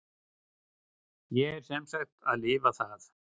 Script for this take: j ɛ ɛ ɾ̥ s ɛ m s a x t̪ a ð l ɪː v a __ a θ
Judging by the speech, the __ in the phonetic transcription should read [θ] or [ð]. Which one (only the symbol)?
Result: θ